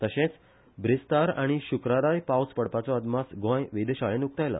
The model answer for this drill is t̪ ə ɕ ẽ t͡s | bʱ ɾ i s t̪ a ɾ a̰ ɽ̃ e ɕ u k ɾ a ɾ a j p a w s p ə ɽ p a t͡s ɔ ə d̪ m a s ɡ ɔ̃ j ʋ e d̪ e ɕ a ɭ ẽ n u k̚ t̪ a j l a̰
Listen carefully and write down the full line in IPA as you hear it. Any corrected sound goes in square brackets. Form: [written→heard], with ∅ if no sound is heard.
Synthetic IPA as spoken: t̪ ə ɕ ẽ t͡s | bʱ ɾ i s t̪ a ɾ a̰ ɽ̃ [e→i] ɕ u k ɾ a ɾ a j p a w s p ə ɽ p a t͡s ɔ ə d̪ m a s ɡ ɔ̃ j ʋ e d̪ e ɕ a ɭ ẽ n u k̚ t̪ a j l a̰